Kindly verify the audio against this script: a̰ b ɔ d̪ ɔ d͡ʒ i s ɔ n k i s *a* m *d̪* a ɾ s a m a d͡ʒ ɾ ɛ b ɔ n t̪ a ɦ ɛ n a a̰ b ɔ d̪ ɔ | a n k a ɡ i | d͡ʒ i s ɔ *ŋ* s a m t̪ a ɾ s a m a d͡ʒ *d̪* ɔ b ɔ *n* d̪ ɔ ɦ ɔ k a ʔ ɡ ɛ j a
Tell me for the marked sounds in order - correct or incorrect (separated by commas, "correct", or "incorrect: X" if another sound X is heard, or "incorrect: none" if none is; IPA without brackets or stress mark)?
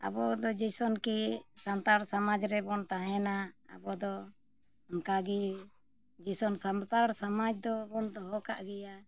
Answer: correct, incorrect: t̪, incorrect: n, correct, correct